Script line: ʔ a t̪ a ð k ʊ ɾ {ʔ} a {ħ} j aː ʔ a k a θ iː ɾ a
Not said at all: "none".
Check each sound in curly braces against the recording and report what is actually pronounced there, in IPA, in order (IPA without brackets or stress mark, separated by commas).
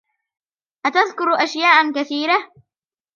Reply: ʔ, ʃ